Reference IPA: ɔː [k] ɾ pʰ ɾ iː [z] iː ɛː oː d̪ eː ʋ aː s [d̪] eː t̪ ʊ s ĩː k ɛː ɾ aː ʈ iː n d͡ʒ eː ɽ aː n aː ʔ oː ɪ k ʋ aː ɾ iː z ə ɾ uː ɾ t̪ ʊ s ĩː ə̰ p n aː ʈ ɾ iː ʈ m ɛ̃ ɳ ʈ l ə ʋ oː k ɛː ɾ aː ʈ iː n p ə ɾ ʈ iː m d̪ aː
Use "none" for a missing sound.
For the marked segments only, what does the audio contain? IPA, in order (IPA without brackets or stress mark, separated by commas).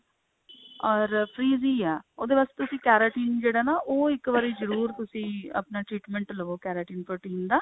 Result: none, z, t̪